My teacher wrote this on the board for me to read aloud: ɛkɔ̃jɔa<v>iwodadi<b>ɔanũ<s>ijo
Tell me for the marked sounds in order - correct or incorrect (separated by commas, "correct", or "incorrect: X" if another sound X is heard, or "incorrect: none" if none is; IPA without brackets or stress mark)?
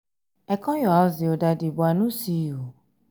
incorrect: z, correct, correct